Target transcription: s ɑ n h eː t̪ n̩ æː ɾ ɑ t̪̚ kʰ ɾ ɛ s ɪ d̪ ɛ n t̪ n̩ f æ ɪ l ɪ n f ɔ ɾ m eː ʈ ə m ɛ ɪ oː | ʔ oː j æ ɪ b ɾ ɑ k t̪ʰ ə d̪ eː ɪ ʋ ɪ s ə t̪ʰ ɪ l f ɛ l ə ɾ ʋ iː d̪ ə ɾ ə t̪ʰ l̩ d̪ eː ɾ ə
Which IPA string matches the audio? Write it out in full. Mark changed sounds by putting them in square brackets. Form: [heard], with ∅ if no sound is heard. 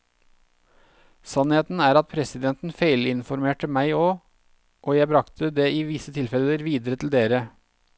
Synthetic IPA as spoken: s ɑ n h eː t̪ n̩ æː ɾ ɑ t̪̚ [pʰ] ɾ ɛ s ɪ d̪ ɛ n t̪ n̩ f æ ɪ l ɪ n f ɔ ɾ m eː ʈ ə m [æ] ɪ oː | ʔ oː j æ ɪ b ɾ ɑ k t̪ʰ ə d̪ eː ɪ ʋ ɪ s ə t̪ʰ ɪ l f ɛ l ə ɾ ʋ iː d̪ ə ɾ ə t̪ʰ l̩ d̪ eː ɾ ə